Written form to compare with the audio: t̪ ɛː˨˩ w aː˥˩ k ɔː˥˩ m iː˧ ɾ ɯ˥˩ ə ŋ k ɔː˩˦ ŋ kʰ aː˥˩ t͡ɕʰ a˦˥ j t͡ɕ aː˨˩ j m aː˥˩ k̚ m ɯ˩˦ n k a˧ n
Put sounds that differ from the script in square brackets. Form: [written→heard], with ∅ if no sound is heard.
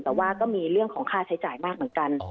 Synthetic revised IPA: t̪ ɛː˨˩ w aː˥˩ k ɔː˥˩ m iː˧ ɾ ɯ˥˩ ə ŋ [k→kʰ] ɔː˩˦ ŋ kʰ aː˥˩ t͡ɕʰ a˦˥ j t͡ɕ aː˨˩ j m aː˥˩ k̚ m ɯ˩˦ n k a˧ n